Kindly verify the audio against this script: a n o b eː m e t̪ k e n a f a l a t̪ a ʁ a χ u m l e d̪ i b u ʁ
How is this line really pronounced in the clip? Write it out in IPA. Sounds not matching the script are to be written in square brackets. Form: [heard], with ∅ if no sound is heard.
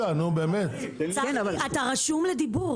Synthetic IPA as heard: a n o b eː m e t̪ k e n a [v] a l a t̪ a ʁ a [ʃ] u m l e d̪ i b u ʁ

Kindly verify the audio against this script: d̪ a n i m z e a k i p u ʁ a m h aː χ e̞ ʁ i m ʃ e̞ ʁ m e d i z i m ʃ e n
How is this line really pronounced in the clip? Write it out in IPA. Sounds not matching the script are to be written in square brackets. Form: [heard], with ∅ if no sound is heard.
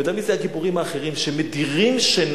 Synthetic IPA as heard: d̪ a [m] i [∅] z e a k i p u ʁ [i] m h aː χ e̞ ʁ i m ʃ e̞ [∅] m e d i [ʁ] i m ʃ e n

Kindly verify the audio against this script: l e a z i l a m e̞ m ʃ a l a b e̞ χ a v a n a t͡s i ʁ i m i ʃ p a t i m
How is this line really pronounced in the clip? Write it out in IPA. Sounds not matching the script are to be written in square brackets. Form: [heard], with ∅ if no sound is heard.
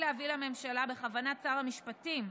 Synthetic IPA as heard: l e a [v] i l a m e̞ m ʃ a l a b e̞ χ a v a n a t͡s [a] ʁ [a] m i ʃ p a t i m

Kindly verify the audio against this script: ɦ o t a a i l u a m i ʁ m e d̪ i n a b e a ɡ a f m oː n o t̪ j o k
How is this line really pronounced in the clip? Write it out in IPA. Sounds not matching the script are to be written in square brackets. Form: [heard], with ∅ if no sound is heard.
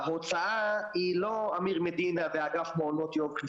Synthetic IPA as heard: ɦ o [t͡s] a a i l [o] a m i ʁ m e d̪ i n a [v] e a ɡ a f m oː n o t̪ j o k

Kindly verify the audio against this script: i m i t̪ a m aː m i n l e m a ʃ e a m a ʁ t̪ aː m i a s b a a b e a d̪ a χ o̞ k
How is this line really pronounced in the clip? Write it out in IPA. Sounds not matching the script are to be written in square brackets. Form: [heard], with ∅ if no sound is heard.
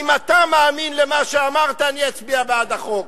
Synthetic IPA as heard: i m [a] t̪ a m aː m i n l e m a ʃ e a m a ʁ t̪ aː [n] i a [t͡s] b [i] a b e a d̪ a χ o̞ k

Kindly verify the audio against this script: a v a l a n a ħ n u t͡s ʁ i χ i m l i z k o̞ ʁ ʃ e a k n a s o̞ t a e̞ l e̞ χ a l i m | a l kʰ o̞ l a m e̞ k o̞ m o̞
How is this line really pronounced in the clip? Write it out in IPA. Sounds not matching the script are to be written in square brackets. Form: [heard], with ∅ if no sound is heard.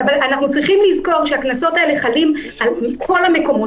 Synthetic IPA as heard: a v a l a n a [χ] n u t͡s ʁ i χ i m l i z k o̞ ʁ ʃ e a k n a s o̞ t a e̞ l e̞ χ a l i m | a l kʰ o̞ l a m e̞ k o̞ m o̞

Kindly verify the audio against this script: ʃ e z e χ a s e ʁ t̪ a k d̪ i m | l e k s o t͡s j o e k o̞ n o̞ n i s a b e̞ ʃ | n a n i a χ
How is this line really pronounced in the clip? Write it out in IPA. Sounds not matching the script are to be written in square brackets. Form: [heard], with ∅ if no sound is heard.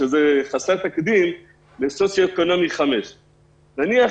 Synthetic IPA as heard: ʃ e z e χ a s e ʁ t̪ a k d̪ i m | l e [∅] s o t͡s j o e k o̞ n o̞ [m] i [χ] a [m] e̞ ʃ | n a n i a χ

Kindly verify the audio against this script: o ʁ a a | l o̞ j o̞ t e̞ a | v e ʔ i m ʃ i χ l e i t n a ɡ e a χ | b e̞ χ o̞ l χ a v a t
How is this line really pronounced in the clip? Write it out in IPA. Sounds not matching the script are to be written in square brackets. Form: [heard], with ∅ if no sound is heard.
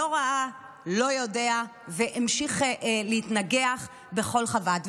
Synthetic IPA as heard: o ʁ a a | l o̞ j o̞ [d] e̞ a | v e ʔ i m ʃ i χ l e i t n a ɡ e a χ | b e̞ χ o̞ l χ a v a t

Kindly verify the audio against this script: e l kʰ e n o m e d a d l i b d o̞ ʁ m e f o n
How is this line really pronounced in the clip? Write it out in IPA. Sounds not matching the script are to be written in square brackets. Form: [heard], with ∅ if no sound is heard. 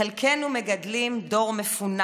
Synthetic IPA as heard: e l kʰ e n [u] m e [ɡ] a d l i [m] d o̞ ʁ m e f [u] n

